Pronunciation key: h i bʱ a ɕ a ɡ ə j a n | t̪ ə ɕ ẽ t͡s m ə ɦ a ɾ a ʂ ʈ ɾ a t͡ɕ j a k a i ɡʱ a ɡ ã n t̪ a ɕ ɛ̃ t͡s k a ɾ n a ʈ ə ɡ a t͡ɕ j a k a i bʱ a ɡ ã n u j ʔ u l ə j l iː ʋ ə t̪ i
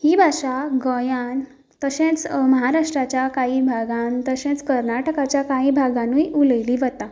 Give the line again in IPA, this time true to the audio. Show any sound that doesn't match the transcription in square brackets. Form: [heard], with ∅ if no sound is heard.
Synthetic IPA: h i bʱ a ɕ a ɡ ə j a n | t̪ ə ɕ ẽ t͡s m ə ɦ a ɾ a ʂ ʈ ɾ a t͡ɕ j a k a i [bʱ] a ɡ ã n t̪ [ə] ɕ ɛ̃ t͡s k [ə] ɾ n a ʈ ə [k] a t͡ɕ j a k a i bʱ a ɡ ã n u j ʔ u l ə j l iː ʋ ə t̪ [a]